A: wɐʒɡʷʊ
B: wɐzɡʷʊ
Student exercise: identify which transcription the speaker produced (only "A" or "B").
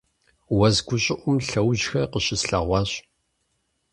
B